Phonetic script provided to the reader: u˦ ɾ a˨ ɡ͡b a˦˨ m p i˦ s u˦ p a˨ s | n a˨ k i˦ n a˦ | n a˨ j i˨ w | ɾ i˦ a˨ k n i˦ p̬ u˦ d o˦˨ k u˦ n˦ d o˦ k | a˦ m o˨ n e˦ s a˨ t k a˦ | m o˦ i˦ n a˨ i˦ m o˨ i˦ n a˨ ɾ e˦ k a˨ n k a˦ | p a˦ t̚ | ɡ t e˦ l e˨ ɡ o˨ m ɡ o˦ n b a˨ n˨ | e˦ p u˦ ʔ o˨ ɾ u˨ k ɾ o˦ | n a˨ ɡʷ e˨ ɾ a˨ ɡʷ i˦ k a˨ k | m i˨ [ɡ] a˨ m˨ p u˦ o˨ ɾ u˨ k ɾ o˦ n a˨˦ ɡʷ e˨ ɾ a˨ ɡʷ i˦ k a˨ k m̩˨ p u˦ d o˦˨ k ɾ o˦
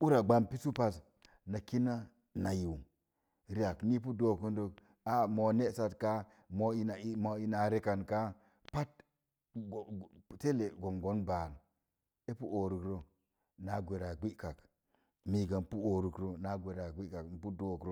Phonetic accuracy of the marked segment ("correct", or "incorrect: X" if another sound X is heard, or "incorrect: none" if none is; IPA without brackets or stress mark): correct